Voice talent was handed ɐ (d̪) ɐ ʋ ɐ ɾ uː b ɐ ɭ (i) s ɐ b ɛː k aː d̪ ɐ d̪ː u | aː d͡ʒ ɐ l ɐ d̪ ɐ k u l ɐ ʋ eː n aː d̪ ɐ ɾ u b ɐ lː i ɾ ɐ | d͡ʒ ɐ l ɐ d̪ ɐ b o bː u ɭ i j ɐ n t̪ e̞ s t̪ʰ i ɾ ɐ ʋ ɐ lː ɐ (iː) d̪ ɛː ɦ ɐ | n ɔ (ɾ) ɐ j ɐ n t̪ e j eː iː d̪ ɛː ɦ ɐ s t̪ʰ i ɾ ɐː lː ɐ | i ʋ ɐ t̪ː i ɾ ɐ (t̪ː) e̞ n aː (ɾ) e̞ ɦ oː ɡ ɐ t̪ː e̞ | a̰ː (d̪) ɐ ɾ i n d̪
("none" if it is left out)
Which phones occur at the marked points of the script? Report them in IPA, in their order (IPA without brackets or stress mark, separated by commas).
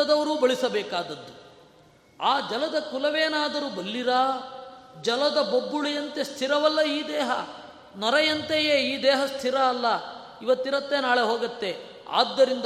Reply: d̪, i, iː, ɾ, t̪ː, ɭ, d̪ː